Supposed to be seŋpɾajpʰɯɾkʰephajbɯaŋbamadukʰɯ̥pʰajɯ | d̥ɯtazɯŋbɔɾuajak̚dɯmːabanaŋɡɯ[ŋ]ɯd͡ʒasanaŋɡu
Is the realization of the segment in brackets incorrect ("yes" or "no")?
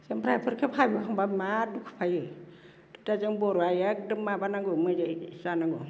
yes